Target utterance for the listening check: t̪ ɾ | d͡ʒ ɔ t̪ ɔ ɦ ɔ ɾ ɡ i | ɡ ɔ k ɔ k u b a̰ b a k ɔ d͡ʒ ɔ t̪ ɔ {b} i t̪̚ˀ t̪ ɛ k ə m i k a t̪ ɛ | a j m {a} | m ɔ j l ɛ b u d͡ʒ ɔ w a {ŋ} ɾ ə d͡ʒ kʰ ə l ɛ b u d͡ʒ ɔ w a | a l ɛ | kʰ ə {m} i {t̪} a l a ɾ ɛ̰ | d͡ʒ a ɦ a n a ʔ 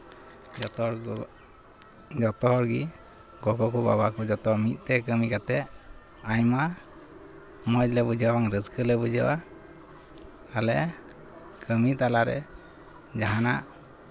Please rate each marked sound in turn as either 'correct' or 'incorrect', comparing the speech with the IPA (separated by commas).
incorrect, correct, correct, correct, correct